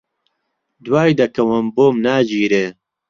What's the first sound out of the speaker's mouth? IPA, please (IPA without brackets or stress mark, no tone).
d̪